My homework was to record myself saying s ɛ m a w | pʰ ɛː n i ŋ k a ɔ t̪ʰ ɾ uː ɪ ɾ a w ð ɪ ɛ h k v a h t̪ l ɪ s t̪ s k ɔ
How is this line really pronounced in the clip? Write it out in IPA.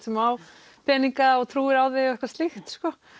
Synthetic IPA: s ɛ m a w | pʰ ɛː n i ŋ k a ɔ t̪ʰ ɾ uː ɪ ɾ a w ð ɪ ɛ h k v a s t̪ l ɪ x t̪ s k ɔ